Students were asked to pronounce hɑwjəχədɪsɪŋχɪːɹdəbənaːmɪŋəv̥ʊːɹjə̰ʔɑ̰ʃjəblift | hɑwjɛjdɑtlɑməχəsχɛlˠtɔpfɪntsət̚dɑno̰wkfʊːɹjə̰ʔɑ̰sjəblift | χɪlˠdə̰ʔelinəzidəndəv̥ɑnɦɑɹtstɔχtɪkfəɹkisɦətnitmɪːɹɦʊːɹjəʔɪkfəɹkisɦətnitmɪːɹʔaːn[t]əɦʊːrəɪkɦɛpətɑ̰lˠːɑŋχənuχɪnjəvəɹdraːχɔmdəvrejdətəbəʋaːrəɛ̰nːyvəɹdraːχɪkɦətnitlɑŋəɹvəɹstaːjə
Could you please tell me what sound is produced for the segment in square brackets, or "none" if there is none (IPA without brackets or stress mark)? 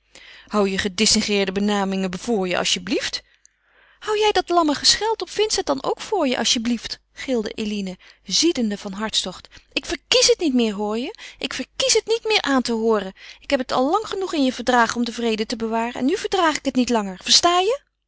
t